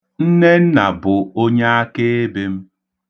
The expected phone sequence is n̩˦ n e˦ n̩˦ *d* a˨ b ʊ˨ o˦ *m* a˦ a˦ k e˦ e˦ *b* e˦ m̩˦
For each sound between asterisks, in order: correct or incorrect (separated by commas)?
incorrect, incorrect, correct